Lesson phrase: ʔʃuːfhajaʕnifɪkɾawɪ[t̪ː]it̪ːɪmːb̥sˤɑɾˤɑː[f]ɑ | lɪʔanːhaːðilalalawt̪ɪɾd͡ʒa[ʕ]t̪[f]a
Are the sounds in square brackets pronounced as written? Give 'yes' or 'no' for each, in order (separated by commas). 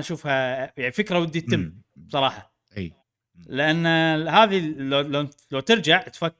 no, no, yes, yes